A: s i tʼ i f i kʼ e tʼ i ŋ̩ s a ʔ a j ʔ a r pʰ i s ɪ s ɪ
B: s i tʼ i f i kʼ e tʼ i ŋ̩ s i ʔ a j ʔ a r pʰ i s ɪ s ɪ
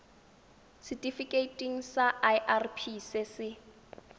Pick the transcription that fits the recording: A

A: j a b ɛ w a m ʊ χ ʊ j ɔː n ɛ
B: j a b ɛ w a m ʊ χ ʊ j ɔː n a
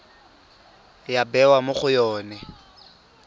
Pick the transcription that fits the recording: A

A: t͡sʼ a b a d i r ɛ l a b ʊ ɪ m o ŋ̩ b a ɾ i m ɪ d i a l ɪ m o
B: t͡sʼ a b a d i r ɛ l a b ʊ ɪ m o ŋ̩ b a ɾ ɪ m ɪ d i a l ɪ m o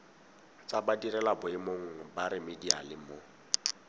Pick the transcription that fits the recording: B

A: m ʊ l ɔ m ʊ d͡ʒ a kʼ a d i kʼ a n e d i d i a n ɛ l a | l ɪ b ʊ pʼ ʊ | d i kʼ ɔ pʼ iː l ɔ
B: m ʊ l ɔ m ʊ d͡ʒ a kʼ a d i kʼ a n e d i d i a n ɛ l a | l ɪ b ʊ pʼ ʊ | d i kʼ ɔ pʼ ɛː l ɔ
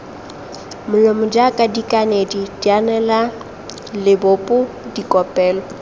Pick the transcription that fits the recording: B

